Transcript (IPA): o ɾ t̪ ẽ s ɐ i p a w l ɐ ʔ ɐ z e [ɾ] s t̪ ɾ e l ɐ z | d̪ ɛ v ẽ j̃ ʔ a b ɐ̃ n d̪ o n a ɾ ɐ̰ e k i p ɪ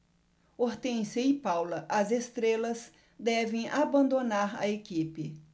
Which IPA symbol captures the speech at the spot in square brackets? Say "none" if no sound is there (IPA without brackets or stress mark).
none